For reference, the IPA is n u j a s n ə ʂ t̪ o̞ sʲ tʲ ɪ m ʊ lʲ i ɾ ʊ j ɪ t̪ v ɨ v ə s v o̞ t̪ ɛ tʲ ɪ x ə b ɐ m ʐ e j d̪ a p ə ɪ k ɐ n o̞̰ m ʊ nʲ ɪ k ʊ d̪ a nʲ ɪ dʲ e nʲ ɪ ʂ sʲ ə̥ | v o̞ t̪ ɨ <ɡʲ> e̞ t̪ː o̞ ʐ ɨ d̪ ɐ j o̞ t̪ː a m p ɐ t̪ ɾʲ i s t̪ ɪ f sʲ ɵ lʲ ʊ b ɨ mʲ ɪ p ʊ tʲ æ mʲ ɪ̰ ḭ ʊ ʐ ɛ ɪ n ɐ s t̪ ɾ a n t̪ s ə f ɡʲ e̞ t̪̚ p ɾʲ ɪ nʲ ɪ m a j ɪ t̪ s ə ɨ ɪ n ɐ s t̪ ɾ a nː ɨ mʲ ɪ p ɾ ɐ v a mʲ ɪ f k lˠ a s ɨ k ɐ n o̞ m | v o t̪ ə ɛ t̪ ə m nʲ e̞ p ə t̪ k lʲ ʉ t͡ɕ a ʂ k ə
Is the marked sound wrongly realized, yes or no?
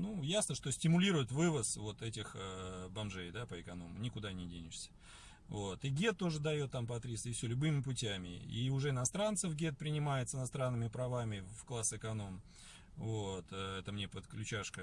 no